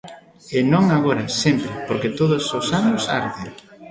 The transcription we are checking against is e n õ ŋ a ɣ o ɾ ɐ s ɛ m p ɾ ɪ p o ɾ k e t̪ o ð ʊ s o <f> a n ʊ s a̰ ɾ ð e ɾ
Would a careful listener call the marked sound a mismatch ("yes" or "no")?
yes